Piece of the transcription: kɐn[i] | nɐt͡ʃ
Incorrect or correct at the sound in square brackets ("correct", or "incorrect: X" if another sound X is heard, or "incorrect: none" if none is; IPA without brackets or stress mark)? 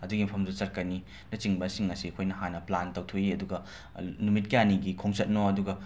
correct